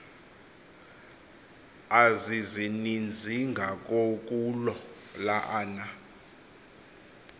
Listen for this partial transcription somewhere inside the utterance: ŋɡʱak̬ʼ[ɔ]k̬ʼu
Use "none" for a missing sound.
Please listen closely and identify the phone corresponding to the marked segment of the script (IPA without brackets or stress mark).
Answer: o